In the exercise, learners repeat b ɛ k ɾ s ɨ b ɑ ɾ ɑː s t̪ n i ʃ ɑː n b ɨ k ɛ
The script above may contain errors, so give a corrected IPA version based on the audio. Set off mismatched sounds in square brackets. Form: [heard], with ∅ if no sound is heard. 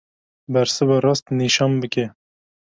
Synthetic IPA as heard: b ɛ [∅] ɾ s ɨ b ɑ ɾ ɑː s t̪ n i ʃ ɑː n b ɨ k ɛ